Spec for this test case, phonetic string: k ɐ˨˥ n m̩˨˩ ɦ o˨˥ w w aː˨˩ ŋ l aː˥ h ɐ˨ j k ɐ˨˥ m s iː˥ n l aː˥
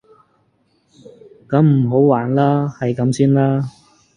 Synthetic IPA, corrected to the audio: k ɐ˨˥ m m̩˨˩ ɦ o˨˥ w w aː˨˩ n l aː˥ h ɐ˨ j k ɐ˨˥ m s iː˥ n l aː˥